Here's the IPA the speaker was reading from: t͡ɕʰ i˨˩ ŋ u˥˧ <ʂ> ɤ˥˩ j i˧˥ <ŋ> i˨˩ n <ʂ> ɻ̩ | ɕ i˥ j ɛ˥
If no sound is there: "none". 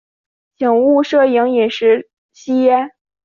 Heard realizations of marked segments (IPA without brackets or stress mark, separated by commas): ʂ, ŋ, ʂ